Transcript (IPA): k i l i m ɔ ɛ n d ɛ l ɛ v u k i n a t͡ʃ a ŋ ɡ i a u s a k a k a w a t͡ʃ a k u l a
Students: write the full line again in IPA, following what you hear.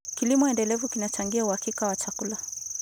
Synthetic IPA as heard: k i l i m ɔ ɛ n d ɛ l ɛ v u k i n a t͡ʃ a ŋ ɡ i a u h a k i k a w a t͡ʃ a k u l a